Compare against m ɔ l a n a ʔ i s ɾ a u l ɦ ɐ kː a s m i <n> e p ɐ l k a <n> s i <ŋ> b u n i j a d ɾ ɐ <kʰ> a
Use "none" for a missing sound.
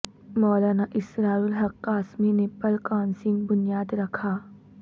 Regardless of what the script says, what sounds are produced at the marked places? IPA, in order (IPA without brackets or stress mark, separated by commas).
n, n, ŋ, kʰ